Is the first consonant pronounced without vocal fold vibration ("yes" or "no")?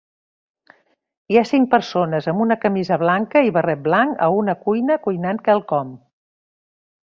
yes